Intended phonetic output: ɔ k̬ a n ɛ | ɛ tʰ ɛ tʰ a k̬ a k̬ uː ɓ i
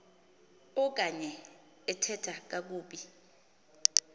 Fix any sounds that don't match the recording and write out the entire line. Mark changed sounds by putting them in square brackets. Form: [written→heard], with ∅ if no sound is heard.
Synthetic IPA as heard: ɔ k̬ a [n→ɲ] ɛ | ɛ tʰ ɛ tʰ a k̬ a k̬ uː ɓ i